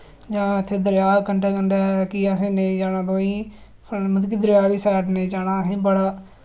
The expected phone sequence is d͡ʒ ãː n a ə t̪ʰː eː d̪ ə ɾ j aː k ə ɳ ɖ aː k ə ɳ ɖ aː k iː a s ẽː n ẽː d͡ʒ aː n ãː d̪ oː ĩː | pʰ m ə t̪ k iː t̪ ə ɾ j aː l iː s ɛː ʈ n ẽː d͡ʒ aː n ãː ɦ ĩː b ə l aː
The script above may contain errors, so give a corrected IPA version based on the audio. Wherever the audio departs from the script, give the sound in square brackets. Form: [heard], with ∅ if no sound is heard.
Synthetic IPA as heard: d͡ʒ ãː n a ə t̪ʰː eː d̪ ə ɾ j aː k ə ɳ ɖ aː k ə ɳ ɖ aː k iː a s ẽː n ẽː d͡ʒ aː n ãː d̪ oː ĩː | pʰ m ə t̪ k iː [d̪] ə ɾ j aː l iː s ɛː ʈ n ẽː d͡ʒ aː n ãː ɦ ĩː b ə [ɽ] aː